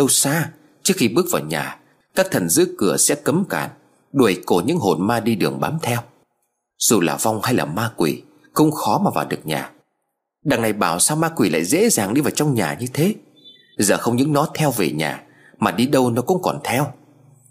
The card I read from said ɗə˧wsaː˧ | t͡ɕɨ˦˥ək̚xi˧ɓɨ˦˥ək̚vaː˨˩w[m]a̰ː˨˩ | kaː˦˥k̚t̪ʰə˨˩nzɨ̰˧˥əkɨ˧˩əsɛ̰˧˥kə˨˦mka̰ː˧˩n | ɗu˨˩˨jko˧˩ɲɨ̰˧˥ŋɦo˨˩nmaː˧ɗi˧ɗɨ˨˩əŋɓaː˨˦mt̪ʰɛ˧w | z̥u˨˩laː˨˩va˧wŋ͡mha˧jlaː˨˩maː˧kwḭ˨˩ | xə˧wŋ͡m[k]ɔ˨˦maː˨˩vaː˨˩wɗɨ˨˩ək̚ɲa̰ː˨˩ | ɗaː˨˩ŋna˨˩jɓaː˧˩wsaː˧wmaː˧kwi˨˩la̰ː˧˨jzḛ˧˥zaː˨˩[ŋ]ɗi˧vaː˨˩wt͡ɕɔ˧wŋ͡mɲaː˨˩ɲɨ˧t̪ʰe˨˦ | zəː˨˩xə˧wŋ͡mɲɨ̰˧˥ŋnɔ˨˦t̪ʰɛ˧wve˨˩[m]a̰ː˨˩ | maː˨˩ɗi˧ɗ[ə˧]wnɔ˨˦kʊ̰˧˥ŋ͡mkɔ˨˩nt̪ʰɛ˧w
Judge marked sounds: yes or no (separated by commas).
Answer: no, no, yes, no, yes